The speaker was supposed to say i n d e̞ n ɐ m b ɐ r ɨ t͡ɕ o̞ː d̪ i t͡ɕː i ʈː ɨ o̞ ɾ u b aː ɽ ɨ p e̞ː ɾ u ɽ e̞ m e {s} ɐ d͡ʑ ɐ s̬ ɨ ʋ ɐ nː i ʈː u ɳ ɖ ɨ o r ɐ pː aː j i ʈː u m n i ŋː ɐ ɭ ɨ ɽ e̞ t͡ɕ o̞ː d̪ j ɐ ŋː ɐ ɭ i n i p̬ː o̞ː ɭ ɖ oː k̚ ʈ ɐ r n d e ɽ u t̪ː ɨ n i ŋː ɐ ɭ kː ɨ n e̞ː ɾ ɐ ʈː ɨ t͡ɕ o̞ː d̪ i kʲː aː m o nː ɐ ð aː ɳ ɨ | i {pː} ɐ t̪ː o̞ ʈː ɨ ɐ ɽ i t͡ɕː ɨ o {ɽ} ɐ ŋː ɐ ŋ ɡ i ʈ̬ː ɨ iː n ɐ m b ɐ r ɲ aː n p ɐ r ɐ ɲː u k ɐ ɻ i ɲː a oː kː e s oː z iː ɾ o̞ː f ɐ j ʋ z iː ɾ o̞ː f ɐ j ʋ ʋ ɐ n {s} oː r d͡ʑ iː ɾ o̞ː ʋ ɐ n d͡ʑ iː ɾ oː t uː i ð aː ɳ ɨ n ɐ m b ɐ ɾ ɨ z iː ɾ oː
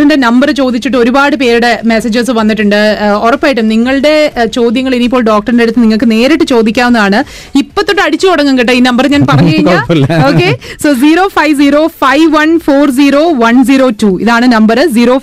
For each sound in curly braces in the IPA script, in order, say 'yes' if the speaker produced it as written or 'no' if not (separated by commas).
yes, yes, yes, no